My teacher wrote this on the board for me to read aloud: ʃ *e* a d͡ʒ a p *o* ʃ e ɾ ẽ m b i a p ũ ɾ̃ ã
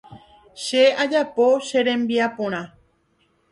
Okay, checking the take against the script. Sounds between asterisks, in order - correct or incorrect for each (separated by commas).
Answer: correct, correct